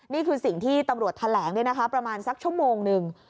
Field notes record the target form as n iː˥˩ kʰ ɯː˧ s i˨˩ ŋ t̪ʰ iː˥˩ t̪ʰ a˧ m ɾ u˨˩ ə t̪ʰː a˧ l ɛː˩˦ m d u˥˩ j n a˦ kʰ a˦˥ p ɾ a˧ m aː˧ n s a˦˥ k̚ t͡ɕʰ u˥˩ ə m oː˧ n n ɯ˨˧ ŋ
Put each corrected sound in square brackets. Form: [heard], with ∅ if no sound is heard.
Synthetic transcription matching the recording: n iː˥˩ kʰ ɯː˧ s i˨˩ ŋ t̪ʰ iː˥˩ [t̪] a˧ m ɾ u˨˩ ə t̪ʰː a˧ l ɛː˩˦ [ŋ] d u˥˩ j n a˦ kʰ a˦˥ p ɾ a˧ m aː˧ n s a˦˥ k̚ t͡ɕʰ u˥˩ ə m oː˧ [ŋ] n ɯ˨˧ ŋ